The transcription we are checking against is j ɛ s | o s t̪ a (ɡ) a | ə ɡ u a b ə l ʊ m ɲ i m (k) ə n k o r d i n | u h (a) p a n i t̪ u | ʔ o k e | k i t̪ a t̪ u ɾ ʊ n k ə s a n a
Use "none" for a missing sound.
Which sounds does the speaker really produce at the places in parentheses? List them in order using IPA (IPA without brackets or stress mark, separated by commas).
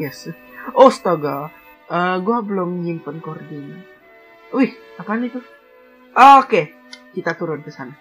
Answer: ɡ, p, a